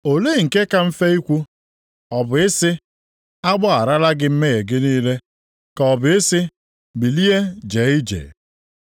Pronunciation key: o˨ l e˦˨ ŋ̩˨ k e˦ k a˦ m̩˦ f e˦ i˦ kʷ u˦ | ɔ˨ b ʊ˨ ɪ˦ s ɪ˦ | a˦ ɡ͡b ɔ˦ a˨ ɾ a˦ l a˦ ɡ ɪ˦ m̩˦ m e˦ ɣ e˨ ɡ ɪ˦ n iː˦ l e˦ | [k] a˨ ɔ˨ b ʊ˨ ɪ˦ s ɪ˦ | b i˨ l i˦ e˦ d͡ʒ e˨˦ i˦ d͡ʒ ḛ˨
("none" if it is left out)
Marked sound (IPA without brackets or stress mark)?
k